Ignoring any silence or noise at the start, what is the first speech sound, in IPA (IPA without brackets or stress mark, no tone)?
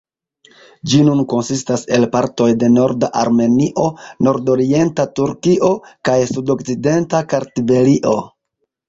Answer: d͡ʒ